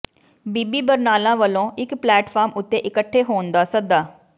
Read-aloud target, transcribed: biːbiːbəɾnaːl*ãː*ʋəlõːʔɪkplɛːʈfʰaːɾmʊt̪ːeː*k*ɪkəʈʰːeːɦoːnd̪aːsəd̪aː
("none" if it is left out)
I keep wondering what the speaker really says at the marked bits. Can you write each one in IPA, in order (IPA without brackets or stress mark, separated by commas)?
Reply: ãː, ʔ